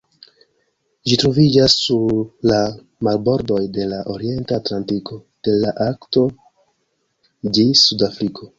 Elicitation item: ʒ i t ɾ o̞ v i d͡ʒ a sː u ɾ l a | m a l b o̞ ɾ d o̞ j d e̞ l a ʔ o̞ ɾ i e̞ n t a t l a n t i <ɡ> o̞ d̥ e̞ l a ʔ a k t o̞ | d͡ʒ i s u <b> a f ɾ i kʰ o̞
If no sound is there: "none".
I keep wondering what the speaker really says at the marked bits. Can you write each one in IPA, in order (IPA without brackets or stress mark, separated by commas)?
k, d